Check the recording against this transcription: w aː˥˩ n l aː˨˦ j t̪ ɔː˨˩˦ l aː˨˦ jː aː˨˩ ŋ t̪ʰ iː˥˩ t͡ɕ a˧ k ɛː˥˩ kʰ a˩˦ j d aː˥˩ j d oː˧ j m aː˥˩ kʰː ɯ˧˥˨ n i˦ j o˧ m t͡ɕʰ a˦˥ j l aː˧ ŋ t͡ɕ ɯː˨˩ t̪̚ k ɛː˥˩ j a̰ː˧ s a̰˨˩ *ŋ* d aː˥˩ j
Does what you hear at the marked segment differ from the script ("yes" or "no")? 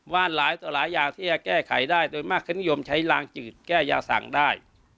no